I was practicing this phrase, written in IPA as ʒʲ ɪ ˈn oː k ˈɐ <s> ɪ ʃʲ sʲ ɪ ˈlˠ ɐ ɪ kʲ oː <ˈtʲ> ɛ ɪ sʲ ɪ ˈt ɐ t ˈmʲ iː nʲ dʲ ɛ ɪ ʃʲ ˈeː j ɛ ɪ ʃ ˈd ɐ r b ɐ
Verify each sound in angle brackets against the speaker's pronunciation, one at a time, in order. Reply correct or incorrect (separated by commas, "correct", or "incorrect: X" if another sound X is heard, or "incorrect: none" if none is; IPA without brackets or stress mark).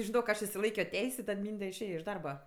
incorrect: ʃ, correct